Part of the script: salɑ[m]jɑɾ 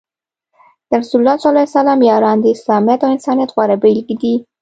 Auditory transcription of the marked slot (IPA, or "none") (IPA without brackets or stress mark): m